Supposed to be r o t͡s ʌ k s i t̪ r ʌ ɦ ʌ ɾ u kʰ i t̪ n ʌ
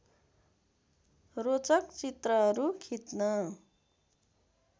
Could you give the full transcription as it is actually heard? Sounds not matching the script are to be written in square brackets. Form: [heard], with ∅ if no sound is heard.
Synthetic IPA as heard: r o t͡s ʌ k [t͡s] i t̪ r ʌ ɦ ʌ ɾ u kʰ i t̪ n ʌ

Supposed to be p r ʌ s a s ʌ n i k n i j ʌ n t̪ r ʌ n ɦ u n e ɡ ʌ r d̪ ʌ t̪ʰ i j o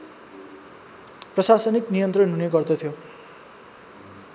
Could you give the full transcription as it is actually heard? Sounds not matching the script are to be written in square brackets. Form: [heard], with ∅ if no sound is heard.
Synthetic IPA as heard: p r ʌ s a s ʌ n i k n i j ʌ n t̪ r ʌ n ɦ u n e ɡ ʌ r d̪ ʌ t̪ʰ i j o

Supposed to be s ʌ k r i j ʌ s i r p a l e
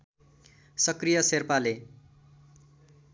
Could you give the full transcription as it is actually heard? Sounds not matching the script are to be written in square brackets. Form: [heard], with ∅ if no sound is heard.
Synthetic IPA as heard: s ʌ k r i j ʌ s [e] r p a l e

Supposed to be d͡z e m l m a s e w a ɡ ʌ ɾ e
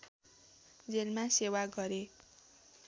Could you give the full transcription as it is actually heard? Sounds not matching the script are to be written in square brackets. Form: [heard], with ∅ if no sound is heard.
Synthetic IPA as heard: d͡z e [∅] l m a s e w a ɡ ʌ ɾ e

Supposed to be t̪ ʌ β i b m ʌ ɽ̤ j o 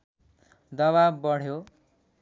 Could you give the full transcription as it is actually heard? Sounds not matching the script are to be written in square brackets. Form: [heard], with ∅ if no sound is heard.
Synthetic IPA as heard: [d̪] ʌ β [a] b [b] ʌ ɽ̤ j o

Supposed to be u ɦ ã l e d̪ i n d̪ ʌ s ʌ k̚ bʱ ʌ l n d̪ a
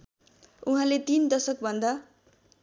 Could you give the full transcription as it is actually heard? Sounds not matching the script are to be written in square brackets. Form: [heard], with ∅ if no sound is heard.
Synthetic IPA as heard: u ɦ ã l e [t̪] i n d̪ ʌ s ʌ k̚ bʱ ʌ [∅] n d̪ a

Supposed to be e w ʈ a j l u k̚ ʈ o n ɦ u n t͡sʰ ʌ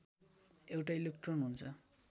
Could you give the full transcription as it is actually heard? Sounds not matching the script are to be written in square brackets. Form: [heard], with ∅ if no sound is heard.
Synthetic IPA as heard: e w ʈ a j l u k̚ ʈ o n ɦ u n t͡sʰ ʌ

